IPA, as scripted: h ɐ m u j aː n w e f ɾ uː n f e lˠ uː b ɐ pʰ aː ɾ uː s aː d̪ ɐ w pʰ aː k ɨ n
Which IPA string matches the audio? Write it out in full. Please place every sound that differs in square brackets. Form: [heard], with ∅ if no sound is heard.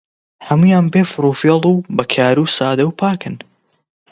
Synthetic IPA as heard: h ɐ m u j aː n [b] e f ɾ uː [∅] f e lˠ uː b ɐ [kʰ] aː ɾ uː s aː d̪ ɐ w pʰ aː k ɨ n